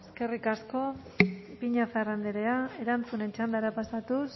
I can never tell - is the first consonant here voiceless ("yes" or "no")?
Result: yes